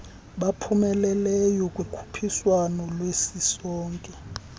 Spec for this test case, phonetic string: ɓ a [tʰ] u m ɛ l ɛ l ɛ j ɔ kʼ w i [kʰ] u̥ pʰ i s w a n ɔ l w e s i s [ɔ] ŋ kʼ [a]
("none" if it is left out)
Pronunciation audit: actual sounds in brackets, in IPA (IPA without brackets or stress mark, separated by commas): pʰ, kʰ, ɔː, ɛ